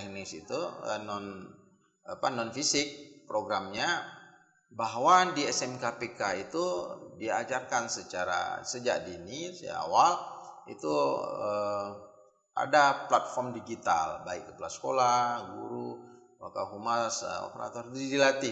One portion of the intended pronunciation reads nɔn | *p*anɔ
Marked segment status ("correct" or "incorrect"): correct